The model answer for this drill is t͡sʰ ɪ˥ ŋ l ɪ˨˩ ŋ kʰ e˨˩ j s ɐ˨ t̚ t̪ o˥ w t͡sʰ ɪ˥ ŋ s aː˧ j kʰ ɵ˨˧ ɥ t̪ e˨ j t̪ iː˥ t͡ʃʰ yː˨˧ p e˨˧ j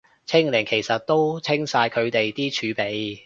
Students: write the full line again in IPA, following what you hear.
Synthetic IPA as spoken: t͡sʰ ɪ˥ ŋ l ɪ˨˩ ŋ kʰ e˨˩ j s ɐ˨ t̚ t̪ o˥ w t͡sʰ ɪ˥ ŋ s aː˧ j kʰ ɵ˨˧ ɥ t̪ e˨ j t̪ iː˥ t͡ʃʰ yː˨˧ p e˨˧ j